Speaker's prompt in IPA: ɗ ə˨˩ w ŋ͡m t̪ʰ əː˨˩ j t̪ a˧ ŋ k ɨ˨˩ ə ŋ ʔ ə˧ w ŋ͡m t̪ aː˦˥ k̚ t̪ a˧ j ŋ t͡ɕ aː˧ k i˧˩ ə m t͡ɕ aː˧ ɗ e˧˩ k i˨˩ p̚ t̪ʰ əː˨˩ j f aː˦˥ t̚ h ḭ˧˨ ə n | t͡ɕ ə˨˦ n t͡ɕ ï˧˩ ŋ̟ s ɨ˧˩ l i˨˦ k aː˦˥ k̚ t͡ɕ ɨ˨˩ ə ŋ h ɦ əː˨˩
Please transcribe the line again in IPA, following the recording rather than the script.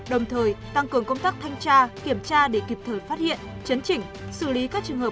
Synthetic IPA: ɗ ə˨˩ w ŋ͡m t̪ʰ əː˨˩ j t̪ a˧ ŋ k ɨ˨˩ ə ŋ k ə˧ w ŋ͡m t̪ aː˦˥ k̚ t̪ʰ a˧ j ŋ t͡ɕ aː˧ k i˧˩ ə m t͡ɕ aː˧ ɗ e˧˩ k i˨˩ p̚ t̪ʰ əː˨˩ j f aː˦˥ t̚ h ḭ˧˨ ə n | t͡ɕ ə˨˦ n t͡ɕ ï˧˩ ŋ̟ s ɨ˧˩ l i˨˦ k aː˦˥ k̚ t͡ɕ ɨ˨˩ ə ŋ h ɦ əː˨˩